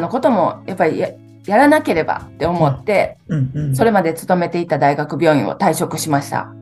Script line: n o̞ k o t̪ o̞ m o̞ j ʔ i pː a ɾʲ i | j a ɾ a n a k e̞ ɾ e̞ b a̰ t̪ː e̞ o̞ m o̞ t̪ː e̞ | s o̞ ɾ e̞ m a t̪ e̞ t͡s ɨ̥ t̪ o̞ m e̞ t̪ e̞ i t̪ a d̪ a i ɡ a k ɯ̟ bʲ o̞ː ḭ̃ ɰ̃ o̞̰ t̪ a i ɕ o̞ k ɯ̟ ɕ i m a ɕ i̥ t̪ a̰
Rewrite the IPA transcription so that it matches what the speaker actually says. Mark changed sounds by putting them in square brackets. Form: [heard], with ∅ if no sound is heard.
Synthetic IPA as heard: n o̞ k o t̪ o̞ m o̞ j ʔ [a] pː a ɾʲ i | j a ɾ a n a k e̞ ɾ e̞ b a̰ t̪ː e̞ o̞ m o̞ t̪ː e̞ | s o̞ ɾ e̞ m a [d̪] e̞ t͡s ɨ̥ t̪ o̞ m e̞ t̪ e̞ i t̪ a d̪ a i ɡ a k ɯ̟ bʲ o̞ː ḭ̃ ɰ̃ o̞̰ t̪ a i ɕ o̞ k ɯ̟ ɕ i m a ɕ i̥ t̪ a̰